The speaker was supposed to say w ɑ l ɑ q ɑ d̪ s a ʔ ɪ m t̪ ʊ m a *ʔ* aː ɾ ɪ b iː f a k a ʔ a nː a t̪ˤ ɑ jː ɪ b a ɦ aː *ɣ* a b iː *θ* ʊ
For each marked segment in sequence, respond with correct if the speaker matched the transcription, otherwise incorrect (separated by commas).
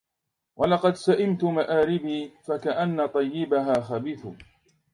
correct, incorrect, correct